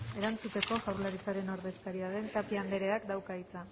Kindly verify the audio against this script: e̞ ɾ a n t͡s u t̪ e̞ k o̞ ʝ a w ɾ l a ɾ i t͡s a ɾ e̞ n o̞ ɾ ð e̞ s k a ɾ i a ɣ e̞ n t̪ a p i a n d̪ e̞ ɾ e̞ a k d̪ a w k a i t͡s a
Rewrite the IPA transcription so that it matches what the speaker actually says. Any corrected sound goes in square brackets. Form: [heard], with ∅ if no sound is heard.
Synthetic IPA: e̞ ɾ a n t͡s u t̪ e̞ k o̞ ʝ a w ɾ l a ɾ i t͡s a ɾ e̞ n o̞ ɾ ð e̞ s k a ɾ i a [ð] e̞ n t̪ a p i a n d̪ e̞ ɾ e̞ a k d̪ a w k a i t͡s a